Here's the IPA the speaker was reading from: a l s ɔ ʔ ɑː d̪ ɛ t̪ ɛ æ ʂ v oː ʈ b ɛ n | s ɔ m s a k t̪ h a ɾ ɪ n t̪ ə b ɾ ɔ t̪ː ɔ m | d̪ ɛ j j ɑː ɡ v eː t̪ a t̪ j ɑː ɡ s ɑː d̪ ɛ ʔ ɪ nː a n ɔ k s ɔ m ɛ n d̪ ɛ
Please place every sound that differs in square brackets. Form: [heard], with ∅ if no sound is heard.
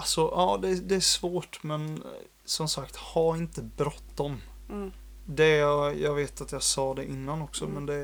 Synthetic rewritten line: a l s ɔ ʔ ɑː d̪ ɛ [d̪] ɛ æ ʂ v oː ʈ [m] ɛ n | s ɔ m s a k t̪ h a ɾ ɪ n t̪ ə b ɾ ɔ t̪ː ɔ m | d̪ ɛ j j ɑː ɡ v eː t̪ a t̪ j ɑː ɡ s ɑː d̪ ɛ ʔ ɪ nː a n ɔ k s ɔ m ɛ n d̪ ɛ